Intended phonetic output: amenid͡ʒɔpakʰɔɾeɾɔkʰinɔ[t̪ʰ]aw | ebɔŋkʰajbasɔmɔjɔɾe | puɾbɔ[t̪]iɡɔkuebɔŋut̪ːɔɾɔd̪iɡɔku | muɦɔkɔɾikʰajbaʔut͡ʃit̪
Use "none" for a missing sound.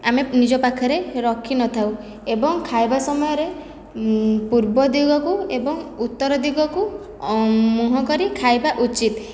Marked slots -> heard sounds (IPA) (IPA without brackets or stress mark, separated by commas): t̪ʰ, d̪